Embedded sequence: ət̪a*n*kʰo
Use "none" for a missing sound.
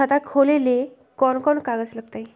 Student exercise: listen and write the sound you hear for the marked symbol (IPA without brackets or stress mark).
none